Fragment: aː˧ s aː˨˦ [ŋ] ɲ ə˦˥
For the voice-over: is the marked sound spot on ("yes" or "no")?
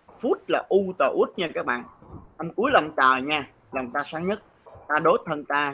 yes